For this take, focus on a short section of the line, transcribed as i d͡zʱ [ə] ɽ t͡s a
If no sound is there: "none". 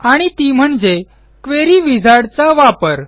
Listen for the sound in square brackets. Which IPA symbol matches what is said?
a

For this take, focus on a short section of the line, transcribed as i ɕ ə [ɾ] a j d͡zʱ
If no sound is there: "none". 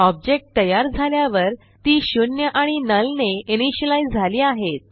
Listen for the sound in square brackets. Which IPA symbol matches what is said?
l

